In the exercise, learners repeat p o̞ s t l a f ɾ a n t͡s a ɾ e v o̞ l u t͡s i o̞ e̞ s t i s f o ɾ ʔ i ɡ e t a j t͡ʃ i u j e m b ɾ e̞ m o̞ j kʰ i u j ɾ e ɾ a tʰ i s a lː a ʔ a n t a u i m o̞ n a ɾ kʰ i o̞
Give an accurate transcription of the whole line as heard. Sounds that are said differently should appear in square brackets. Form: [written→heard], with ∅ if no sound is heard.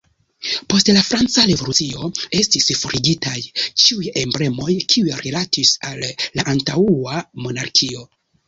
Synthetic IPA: p o̞ s t l a f ɾ a n t͡s a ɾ e v o̞ l u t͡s i o̞ e̞ s t i s f o ɾ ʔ i ɡ [e→i] t a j t͡ʃ i u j e m b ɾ e̞ m o̞ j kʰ i u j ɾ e [ɾ→l] a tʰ i s a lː a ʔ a n t a u [i→a] m o̞ n a ɾ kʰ i o̞